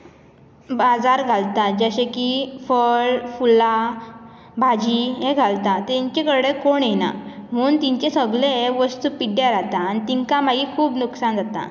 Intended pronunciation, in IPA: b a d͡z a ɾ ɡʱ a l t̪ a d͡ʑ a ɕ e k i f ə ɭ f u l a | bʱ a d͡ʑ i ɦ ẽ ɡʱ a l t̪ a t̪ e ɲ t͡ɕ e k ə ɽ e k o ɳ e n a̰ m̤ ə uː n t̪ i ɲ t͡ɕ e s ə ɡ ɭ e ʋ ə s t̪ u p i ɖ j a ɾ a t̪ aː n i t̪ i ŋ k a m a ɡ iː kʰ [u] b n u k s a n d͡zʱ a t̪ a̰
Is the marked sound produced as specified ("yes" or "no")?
no